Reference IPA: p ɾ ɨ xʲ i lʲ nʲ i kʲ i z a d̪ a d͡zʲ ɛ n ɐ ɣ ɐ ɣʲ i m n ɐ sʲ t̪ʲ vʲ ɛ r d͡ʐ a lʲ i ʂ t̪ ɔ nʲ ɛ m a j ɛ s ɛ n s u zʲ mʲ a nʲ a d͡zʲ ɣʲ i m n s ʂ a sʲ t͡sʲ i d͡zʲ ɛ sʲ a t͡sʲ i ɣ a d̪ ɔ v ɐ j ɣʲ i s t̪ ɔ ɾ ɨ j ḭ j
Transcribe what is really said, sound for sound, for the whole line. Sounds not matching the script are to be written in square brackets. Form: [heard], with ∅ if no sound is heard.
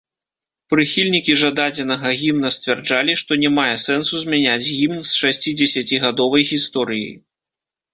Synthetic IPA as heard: p ɾ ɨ xʲ i lʲ nʲ i kʲ i [ʐ] a d̪ a d͡zʲ ɛ n ɐ ɣ ɐ ɣʲ i m n ɐ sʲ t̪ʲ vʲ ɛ r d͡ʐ a lʲ i ʂ t̪ ɔ nʲ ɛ m a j ɛ s ɛ n s u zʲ mʲ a nʲ a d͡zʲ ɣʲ i m n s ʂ a sʲ t͡sʲ i d͡zʲ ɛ sʲ a t͡sʲ i ɣ a d̪ ɔ v ɐ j ɣʲ i s t̪ ɔ ɾ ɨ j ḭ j